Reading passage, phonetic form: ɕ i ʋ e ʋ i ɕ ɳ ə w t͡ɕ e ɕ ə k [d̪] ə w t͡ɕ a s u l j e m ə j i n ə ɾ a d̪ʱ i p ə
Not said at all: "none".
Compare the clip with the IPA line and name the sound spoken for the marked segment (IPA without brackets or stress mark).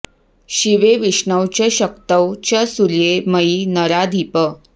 t̪